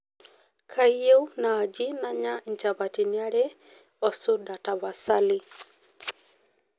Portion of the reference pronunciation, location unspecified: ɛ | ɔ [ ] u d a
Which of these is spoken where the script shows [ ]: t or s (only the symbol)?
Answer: s